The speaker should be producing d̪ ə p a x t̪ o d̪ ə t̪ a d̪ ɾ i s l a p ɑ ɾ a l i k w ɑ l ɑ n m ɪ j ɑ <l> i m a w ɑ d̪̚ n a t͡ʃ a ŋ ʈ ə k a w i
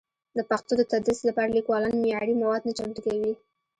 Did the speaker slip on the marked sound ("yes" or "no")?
yes